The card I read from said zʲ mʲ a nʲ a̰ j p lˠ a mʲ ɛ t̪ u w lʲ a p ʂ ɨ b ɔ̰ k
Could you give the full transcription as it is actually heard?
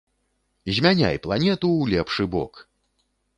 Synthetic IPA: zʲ mʲ a nʲ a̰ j p lˠ a nʲ ɛ t̪ u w lʲ ɛ p ʂ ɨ b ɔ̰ k